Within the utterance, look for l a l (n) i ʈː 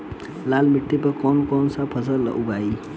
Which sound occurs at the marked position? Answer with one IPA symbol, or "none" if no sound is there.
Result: m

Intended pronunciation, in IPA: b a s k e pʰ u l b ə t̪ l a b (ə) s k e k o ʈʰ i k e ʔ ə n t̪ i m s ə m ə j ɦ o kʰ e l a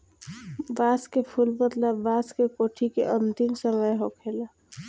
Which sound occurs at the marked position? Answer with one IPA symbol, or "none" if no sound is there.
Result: a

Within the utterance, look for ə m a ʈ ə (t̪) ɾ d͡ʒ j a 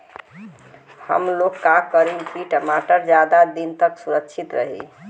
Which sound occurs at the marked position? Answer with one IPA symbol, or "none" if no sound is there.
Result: none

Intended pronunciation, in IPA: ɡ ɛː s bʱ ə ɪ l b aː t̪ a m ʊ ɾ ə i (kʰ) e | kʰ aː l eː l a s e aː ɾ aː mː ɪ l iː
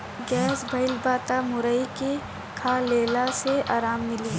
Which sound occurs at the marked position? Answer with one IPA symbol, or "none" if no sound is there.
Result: k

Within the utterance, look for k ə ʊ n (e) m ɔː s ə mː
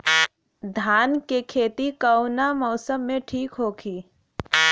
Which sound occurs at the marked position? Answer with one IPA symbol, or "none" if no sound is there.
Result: a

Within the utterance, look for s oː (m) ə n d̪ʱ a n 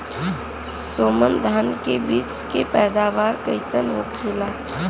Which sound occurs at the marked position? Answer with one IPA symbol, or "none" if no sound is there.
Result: m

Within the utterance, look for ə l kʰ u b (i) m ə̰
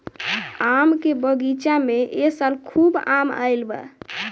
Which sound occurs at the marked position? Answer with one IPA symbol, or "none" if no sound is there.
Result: a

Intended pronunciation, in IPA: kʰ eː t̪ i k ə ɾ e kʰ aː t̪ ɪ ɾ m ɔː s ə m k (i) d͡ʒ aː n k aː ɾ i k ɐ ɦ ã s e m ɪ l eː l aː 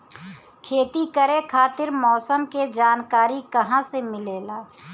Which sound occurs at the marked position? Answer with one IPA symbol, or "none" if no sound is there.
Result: e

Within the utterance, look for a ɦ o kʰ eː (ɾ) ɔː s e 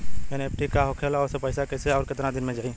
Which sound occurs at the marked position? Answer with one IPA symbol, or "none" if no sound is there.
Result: l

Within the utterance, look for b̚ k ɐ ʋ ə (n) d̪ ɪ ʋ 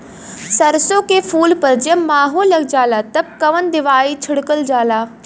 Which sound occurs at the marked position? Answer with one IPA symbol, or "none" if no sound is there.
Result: n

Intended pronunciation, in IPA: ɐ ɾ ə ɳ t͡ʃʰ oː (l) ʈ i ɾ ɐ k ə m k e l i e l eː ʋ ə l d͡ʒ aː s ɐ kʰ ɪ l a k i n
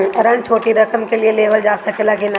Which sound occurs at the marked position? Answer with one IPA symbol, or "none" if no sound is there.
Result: none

